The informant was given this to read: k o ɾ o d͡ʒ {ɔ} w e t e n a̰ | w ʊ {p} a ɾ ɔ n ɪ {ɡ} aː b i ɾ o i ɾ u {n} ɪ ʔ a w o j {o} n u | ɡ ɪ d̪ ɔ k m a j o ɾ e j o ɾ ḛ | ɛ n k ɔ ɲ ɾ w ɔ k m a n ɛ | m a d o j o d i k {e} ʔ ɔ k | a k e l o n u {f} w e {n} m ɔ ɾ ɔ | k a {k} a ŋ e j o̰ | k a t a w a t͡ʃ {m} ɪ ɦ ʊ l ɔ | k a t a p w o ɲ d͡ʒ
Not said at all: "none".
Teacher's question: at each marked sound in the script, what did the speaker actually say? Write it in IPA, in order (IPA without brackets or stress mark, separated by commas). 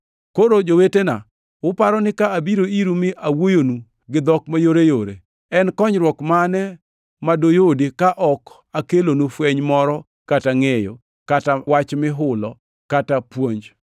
o, p, k, m, o, a, f, ɲ, t, m